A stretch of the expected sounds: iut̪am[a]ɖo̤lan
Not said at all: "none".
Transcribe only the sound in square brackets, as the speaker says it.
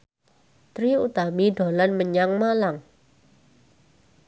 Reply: i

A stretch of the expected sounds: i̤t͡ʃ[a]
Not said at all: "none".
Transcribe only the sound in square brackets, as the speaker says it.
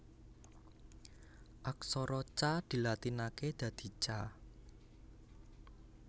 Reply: a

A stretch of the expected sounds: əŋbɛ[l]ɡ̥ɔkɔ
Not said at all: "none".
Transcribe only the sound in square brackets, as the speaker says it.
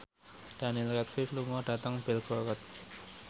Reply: l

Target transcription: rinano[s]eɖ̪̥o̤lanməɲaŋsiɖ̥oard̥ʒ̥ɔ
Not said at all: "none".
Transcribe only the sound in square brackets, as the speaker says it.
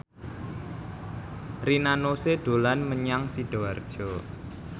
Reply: s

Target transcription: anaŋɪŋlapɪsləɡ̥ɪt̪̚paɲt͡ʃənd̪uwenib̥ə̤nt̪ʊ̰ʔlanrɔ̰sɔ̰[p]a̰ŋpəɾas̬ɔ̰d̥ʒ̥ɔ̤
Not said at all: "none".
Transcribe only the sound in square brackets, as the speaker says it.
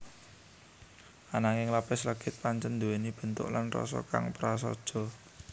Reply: k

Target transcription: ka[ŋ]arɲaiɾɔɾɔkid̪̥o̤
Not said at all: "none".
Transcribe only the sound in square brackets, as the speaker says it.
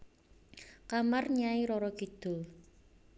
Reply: m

